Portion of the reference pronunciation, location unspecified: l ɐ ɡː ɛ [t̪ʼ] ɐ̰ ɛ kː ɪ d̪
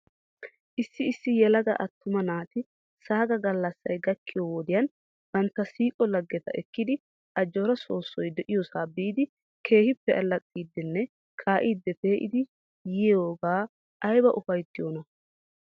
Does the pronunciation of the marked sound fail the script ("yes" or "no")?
yes